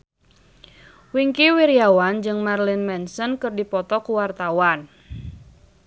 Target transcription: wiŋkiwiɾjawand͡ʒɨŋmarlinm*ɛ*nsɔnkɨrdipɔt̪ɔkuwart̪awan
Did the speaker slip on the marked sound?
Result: no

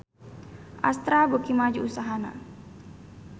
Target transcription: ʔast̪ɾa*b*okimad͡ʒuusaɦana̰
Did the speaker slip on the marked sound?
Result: no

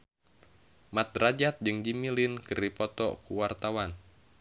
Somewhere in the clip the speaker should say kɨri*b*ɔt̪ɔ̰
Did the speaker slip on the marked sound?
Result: yes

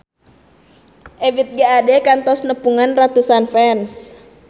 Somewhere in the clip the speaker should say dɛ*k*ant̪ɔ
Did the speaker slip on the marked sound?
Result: no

